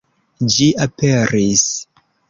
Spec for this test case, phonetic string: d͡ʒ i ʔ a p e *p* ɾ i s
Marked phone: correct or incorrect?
incorrect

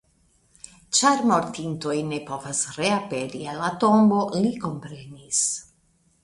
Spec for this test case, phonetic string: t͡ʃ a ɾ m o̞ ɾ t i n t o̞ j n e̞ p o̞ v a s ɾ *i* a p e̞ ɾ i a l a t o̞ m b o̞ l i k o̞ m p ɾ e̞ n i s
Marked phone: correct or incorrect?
incorrect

